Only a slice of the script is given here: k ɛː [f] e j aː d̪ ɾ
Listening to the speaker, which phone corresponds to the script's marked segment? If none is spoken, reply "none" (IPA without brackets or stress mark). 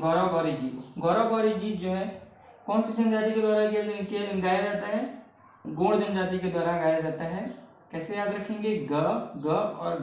s